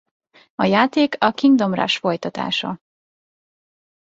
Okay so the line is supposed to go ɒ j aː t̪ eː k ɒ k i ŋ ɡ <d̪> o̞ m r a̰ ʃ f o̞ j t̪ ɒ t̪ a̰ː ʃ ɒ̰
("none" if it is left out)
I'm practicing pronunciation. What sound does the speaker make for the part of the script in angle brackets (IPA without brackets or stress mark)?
d̪